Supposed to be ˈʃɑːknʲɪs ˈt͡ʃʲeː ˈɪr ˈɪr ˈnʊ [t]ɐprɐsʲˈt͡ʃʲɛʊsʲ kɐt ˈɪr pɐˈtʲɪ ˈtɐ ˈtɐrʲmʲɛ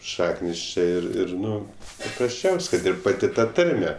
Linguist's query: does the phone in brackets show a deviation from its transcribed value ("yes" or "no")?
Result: yes